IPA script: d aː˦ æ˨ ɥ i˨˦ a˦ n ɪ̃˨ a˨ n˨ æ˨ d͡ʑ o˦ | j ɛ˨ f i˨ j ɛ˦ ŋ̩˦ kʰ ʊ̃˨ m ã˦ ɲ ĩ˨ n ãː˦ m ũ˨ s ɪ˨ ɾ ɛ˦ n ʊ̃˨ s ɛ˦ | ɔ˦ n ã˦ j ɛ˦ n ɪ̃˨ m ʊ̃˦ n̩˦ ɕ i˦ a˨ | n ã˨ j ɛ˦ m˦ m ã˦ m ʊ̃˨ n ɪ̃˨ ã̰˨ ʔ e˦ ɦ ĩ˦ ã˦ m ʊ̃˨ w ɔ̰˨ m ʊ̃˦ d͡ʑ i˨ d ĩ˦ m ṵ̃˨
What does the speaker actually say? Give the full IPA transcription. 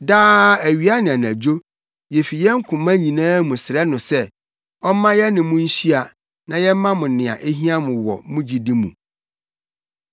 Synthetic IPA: d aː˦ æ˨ ɥ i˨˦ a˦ n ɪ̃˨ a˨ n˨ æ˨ d͡ʑ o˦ | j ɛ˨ f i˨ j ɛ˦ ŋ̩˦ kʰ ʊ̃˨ m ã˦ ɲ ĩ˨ n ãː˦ m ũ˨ s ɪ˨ ɾ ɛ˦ n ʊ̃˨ s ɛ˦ | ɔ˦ m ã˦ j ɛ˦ n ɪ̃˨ m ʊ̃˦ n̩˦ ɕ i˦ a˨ | n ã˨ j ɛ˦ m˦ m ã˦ m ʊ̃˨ n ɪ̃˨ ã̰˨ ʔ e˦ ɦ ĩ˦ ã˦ m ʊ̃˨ w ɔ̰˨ m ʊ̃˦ d͡ʑ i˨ d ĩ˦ m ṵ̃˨